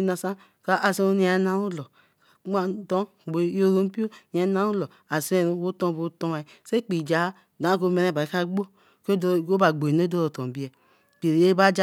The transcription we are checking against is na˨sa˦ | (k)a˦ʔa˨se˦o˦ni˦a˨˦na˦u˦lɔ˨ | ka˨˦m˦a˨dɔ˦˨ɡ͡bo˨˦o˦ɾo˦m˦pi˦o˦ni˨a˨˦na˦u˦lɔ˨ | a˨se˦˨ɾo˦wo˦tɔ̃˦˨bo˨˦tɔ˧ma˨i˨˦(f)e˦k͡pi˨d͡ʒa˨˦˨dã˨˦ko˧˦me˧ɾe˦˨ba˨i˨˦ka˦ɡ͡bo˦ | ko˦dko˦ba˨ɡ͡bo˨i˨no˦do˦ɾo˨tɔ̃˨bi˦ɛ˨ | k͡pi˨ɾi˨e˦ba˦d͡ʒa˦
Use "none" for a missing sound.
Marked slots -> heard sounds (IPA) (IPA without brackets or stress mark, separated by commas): k, s